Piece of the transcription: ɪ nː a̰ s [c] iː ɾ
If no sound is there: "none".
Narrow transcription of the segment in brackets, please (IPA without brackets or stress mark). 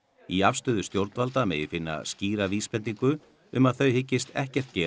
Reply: c